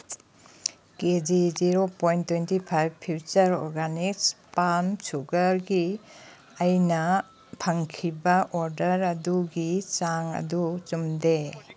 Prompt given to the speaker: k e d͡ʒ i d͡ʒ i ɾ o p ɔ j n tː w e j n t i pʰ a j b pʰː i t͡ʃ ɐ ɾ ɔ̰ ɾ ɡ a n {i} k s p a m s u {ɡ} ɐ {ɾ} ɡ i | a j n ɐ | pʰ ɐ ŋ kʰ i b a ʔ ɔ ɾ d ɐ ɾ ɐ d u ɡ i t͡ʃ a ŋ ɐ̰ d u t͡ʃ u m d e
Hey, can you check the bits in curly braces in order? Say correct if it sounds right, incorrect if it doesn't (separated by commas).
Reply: correct, correct, correct